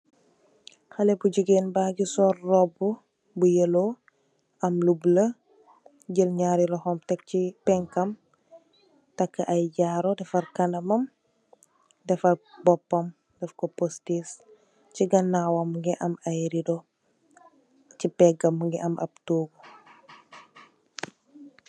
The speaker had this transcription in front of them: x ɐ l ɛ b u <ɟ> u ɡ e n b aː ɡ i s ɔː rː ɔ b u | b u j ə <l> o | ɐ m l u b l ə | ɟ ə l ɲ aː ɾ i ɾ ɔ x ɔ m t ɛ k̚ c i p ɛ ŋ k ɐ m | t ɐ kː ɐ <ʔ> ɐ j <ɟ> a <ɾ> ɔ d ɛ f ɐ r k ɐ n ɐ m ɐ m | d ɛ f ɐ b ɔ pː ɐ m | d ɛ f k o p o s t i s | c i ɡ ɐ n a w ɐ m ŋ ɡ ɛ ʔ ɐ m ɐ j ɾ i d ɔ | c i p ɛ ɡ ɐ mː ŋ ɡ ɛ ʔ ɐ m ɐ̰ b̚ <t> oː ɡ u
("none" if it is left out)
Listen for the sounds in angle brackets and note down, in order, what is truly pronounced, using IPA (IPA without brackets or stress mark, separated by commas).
ɟ, l, ʔ, ɟ, ɾ, t